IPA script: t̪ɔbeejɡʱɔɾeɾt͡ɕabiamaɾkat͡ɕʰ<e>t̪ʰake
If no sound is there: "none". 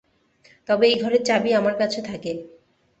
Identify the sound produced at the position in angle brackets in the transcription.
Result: e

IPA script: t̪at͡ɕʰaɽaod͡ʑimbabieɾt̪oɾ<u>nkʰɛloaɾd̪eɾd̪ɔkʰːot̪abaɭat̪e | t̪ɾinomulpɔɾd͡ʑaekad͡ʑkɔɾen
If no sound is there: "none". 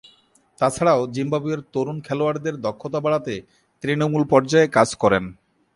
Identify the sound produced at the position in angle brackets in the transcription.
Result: u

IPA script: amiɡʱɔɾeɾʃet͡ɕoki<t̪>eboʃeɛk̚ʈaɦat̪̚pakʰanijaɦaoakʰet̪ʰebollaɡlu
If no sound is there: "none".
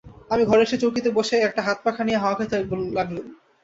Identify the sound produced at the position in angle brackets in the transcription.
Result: t̪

